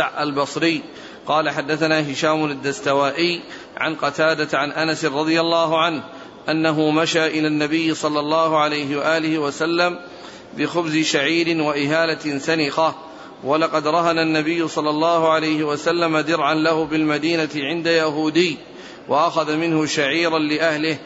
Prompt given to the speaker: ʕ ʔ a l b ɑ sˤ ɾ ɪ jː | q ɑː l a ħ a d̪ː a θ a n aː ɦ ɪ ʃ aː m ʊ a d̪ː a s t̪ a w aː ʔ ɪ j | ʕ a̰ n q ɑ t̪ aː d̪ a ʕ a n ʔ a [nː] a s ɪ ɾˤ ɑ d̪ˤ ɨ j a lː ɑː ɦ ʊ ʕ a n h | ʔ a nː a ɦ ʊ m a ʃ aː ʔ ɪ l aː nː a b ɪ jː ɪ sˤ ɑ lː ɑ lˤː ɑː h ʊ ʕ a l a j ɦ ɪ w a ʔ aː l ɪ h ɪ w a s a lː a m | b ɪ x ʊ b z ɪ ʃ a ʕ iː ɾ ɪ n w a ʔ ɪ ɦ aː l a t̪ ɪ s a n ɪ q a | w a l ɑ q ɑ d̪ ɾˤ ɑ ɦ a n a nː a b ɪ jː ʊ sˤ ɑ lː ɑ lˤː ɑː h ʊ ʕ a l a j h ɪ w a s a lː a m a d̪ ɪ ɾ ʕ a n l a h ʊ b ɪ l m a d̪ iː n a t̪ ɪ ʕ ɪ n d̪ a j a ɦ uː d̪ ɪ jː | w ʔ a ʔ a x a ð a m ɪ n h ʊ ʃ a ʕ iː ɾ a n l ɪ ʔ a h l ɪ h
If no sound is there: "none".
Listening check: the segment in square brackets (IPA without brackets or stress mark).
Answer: n